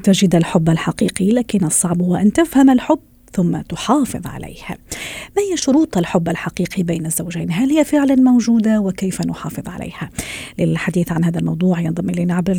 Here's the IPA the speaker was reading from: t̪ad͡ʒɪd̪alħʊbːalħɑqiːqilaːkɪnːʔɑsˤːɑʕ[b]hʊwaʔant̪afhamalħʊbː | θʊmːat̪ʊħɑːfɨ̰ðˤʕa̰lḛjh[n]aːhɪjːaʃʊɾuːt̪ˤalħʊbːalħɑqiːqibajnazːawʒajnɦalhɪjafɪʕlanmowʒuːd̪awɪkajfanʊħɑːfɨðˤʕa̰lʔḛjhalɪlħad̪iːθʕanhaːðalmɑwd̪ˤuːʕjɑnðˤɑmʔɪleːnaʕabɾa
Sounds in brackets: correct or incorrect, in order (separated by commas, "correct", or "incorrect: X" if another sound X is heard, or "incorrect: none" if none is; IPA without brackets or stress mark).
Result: correct, incorrect: m